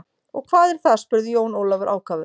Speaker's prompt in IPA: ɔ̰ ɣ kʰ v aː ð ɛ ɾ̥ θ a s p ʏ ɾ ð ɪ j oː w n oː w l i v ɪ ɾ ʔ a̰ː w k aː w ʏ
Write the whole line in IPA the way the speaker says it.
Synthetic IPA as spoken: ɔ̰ ɣ kʰ v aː ð ɛ ɾ̥ θ a s p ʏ ɾ ð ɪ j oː w n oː w l a v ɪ ɾ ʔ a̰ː w k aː v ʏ